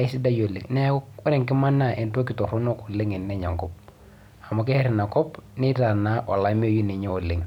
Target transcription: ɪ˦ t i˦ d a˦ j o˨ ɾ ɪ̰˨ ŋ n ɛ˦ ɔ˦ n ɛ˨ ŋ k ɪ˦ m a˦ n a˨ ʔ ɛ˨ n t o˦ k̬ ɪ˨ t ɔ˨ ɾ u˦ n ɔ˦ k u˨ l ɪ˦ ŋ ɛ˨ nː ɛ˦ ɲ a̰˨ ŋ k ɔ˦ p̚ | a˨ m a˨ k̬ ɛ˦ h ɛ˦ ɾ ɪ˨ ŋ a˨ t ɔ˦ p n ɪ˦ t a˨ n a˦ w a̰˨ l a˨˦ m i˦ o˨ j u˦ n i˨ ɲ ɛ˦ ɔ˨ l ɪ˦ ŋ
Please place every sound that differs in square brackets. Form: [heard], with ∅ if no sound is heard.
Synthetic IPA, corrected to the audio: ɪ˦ [s] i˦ d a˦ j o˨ [l] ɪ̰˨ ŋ n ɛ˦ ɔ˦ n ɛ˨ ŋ k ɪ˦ m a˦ n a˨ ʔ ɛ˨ n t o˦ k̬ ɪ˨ t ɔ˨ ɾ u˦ n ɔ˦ k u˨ l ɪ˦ ŋ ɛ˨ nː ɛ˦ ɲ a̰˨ ŋ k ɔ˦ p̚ | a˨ m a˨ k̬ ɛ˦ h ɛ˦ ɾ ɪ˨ [n] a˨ [k] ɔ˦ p n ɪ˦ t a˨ n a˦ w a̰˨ l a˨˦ m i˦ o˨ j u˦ n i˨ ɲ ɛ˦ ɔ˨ l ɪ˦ ŋ